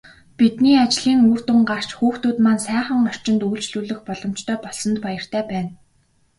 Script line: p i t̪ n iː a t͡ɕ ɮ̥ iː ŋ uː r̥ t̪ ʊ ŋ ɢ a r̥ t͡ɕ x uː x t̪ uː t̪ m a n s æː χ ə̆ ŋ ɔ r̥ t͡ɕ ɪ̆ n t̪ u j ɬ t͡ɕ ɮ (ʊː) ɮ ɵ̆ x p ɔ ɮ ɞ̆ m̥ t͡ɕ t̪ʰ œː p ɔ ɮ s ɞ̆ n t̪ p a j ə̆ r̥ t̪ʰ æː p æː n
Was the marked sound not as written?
yes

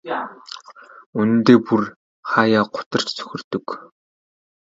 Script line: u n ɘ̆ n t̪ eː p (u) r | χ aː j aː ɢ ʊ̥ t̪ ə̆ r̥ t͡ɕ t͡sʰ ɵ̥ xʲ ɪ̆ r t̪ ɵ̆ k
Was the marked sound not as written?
no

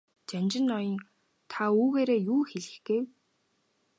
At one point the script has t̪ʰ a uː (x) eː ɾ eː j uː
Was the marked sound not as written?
yes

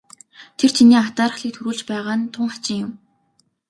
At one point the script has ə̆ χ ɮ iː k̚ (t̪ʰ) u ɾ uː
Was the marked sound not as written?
no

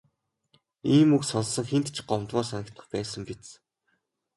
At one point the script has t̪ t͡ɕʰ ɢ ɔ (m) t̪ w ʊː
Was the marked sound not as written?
no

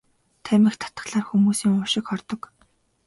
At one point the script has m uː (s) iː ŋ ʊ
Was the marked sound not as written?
no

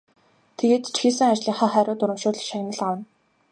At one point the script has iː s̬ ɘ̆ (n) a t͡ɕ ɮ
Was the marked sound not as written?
yes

